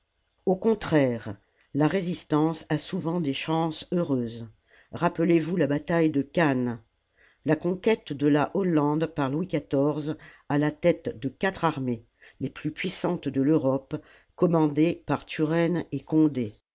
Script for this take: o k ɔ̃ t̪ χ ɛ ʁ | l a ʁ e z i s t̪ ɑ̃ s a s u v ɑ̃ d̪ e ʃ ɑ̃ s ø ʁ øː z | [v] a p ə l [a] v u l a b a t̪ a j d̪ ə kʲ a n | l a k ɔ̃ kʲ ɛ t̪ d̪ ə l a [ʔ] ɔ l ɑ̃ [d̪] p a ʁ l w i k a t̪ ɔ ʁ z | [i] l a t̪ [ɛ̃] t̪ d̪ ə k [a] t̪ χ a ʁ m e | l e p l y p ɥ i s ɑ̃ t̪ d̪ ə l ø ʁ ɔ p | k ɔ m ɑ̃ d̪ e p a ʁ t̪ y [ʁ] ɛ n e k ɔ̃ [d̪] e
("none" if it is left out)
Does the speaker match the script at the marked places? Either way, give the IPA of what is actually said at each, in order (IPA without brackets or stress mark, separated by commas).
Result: ʁ, e, ʔ, d̪, a, ɛ, a, ʁ, d̪